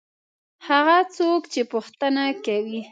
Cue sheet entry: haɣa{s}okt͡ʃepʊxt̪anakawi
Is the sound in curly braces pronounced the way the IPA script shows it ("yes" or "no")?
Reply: no